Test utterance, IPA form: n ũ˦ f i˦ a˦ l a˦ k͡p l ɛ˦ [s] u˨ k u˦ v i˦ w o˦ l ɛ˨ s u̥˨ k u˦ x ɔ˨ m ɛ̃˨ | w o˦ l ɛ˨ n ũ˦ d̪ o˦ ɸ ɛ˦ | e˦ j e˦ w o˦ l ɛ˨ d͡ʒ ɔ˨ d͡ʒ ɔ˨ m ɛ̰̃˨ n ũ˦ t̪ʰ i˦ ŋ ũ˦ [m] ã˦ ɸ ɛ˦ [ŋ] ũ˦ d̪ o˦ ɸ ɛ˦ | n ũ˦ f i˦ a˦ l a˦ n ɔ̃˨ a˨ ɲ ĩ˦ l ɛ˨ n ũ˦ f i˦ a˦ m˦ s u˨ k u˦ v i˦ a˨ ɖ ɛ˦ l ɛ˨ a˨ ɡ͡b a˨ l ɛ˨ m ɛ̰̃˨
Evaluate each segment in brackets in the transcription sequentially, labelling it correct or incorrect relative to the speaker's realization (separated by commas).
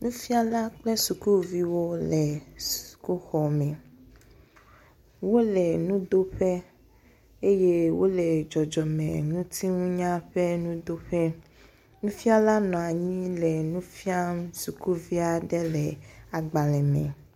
correct, incorrect, incorrect